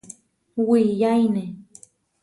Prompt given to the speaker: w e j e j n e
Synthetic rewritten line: w i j a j n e